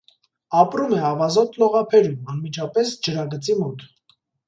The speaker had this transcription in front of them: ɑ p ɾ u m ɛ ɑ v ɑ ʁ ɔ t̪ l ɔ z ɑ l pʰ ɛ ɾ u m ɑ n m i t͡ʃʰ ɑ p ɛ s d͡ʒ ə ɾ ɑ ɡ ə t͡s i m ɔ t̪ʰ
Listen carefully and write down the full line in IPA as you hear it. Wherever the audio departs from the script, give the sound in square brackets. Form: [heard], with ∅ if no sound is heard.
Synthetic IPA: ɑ p ɾ u m ɛ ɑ v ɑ [z] ɔ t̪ l ɔ [ʁ] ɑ [∅] pʰ ɛ ɾ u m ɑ n m i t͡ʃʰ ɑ p ɛ s d͡ʒ ə ɾ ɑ ɡ ə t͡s i m ɔ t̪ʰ